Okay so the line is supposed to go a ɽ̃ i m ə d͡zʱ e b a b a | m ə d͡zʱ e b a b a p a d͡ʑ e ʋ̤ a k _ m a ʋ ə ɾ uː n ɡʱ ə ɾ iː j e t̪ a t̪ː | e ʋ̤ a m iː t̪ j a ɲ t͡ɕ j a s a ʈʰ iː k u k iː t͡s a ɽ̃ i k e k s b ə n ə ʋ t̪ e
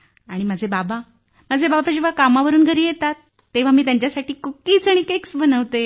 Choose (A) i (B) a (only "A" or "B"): B